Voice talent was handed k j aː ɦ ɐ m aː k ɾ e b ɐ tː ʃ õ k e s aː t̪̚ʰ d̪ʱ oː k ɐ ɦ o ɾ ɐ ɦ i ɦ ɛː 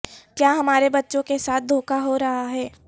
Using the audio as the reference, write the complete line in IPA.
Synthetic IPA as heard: k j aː ɦ ɐ m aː ɾ e b ɐ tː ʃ õ k e s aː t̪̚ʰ d̪ʱ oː k a ɦ o ɾ ɐ ɦ a ɦ ɛː